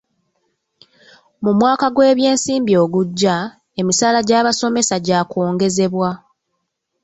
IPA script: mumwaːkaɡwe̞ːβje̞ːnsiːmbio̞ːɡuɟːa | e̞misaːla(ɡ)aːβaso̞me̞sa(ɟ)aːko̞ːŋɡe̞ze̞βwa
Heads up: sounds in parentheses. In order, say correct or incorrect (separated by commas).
incorrect, correct